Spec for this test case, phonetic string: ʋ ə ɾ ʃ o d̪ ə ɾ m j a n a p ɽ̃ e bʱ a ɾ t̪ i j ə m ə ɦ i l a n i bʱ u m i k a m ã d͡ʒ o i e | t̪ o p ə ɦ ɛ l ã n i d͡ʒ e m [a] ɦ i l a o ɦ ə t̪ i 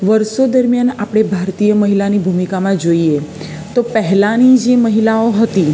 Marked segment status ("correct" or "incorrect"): incorrect